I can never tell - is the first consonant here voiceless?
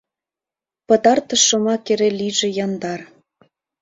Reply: yes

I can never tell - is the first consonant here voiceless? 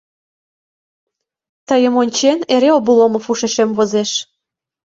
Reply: yes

